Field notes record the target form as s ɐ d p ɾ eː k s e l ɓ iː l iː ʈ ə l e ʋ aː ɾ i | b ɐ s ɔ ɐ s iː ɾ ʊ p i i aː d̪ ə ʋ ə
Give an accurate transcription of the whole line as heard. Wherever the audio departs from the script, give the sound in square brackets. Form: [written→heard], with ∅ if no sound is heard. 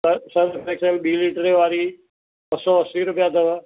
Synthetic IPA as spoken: s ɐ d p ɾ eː k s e l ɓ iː l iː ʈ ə [l→ɾ] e ʋ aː ɾ i | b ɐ s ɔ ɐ s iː ɾ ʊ p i [i→j] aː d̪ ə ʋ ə